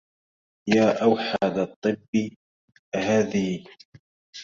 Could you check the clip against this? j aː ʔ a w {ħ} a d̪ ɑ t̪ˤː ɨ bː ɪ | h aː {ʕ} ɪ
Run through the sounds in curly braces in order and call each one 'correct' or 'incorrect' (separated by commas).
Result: correct, incorrect